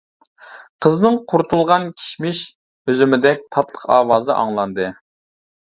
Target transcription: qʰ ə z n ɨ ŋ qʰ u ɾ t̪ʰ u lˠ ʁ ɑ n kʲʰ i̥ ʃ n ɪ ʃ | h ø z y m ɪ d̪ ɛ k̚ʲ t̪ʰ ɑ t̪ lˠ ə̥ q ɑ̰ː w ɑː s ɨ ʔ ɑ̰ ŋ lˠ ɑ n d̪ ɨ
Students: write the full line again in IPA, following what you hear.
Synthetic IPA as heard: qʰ ə z n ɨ ŋ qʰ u ɾ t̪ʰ u lˠ ʁ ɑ n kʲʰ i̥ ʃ m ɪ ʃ | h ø z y m ɪ d̪ ɛ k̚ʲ t̪ʰ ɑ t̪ lˠ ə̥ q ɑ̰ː w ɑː z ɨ ʔ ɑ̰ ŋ lˠ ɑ n d̪ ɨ

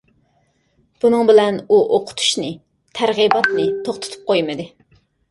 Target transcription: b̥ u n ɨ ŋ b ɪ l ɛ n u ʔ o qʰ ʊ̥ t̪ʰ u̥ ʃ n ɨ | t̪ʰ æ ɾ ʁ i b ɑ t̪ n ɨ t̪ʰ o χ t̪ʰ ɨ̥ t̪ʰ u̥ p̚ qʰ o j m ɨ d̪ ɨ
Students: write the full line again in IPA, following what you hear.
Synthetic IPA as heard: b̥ u n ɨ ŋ b ɪ l ɛ n u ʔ o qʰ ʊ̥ t̪ʰ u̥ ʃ n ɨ | t̪ʰ æ ɾ ʁ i b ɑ t̪ n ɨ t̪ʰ o χ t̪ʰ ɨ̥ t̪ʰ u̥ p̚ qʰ o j m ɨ d̪ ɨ

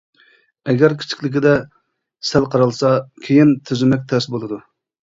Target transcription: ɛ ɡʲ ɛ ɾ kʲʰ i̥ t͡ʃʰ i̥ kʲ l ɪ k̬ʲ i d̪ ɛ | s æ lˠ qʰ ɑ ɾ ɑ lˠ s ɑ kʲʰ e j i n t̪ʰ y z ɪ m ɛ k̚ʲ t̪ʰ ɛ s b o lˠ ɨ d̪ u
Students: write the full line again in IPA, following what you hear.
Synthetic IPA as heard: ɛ ɡʲ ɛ ɾ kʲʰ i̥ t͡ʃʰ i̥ kʲ l ɪ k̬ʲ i d̪ ɛ | s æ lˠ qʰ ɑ ɾ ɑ lˠ s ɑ kʲʰ e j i n t̪ʰ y z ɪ m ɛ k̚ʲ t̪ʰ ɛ s b o lˠ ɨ d̪ u

